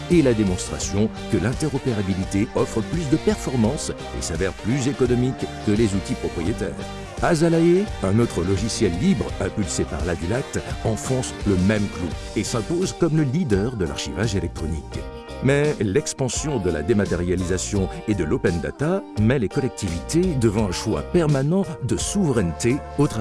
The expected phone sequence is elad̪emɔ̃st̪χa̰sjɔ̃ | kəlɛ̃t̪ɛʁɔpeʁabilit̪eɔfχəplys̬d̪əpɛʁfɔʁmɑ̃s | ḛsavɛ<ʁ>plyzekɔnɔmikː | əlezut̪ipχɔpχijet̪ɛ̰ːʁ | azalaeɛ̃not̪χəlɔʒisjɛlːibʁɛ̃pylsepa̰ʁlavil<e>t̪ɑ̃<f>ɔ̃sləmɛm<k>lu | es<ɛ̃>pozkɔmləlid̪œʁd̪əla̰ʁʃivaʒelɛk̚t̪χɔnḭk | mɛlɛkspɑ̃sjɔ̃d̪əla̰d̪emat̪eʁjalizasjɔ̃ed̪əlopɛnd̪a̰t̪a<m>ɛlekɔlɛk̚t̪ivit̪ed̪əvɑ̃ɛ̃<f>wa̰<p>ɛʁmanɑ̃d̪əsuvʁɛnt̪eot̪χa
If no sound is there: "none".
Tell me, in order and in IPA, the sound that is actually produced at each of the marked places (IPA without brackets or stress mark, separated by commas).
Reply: ʁ, a, f, k, ɛ̃, m, ʃ, p